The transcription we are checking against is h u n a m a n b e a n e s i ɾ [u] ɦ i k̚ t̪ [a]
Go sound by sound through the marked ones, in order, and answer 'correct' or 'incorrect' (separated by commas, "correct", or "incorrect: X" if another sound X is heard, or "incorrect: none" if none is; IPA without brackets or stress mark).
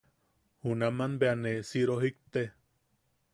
incorrect: o, incorrect: e